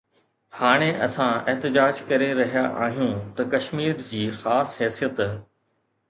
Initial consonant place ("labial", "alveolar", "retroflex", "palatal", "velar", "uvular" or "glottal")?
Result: glottal